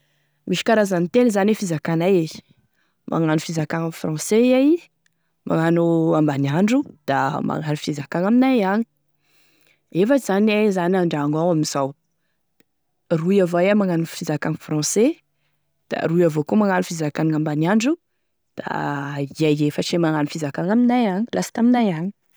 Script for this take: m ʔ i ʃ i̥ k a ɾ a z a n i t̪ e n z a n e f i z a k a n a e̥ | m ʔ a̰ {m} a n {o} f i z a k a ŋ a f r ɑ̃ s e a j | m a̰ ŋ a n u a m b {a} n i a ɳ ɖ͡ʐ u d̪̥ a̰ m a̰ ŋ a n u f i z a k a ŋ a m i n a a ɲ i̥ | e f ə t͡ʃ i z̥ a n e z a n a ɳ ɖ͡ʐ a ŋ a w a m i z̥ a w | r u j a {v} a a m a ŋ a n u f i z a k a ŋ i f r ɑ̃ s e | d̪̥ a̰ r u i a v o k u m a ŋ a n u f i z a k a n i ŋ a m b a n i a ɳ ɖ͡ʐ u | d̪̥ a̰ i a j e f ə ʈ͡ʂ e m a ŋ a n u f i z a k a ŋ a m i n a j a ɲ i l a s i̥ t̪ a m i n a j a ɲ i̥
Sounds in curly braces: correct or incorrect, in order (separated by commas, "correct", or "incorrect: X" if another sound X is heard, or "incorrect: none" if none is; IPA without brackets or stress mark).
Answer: incorrect: ŋ, incorrect: u, correct, correct